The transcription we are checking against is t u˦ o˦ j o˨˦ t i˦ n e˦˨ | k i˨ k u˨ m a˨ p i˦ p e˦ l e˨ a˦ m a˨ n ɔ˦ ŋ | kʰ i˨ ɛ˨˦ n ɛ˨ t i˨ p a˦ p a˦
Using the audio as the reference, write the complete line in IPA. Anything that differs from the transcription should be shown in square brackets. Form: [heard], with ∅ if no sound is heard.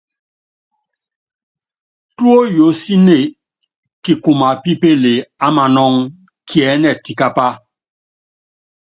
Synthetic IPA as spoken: t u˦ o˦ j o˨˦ [s] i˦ n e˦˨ | k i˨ k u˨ m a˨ p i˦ p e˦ l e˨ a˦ m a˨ n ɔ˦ ŋ | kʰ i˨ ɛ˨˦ n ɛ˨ t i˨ [k] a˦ p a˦

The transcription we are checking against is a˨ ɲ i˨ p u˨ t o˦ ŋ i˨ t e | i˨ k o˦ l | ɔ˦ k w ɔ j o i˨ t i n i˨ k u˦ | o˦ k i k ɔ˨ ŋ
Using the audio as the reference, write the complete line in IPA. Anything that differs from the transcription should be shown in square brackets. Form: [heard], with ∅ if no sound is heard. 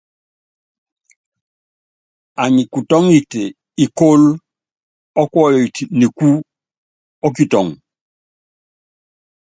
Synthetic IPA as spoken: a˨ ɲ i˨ [k] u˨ t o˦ ŋ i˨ t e | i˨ k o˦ l | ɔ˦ k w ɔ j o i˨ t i n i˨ k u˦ | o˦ k i [t] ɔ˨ ŋ

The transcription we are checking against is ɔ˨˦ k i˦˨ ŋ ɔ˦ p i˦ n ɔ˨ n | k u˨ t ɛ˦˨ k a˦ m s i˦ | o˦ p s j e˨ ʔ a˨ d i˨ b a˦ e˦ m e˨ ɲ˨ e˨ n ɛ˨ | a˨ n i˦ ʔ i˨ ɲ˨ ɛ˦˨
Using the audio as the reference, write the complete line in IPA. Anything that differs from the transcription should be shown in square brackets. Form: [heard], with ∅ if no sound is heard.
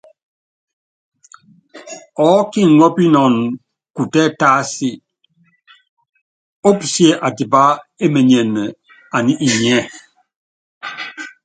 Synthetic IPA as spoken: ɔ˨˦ k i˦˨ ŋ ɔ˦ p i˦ n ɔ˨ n | k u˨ t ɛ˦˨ [t] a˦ [∅] s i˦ | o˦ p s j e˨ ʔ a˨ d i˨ b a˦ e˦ m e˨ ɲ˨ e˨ n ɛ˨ | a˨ n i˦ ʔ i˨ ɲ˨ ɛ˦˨

